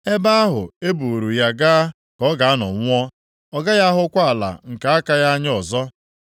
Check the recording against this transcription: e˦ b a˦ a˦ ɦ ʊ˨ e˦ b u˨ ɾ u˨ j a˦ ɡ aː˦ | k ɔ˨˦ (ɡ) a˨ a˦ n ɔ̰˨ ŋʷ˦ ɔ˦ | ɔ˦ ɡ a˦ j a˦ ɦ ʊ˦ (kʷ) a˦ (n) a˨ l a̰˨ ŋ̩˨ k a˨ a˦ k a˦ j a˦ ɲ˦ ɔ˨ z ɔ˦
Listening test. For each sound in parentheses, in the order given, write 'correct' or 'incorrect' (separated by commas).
correct, correct, incorrect